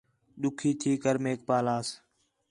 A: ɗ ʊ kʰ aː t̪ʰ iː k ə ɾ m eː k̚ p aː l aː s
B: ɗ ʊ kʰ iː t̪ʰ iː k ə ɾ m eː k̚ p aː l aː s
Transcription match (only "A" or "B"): B